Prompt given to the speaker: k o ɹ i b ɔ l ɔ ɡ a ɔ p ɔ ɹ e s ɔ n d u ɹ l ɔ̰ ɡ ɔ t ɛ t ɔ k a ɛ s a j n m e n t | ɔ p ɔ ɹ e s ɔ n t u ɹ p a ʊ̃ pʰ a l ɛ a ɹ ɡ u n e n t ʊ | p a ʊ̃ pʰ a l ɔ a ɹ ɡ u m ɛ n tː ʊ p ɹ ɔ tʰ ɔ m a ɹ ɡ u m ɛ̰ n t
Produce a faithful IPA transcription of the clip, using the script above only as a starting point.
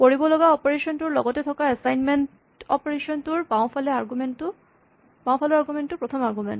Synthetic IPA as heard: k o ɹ i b ɔ l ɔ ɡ a ɔ p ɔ ɹ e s ɔ n t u ɹ l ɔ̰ ɡ ɔ t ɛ tʰ ɔ k a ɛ s a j n m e n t | ɔ p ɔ ɹ e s ɔ n t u ɹ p a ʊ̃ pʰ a l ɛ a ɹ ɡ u m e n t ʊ | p a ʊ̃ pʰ a l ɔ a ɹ ɡ u m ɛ n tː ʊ p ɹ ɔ tʰ ɔ m a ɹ ɡ u m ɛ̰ n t